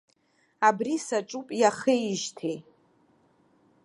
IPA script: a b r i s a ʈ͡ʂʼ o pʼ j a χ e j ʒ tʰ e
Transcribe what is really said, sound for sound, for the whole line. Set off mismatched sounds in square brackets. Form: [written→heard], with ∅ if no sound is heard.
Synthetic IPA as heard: a b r i s a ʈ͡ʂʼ [o→u] pʼ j a χ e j ʒ tʰ e